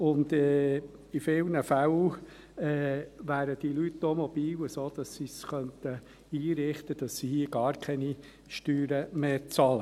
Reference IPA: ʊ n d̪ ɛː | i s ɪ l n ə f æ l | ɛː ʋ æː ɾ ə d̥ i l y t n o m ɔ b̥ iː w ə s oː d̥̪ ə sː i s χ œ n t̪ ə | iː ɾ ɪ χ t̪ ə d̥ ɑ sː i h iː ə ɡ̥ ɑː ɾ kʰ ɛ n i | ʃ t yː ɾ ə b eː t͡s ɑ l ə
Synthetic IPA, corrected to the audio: ʊ n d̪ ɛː | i f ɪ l n ə f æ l | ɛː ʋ æː ɾ ə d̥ i l y t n o m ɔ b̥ iː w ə s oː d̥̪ ɑ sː i s χ œ n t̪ ə | iː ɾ ɪ χ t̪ ə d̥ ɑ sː i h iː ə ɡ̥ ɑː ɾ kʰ ɛ n i | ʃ t yː ɾ ə m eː t͡s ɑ l ə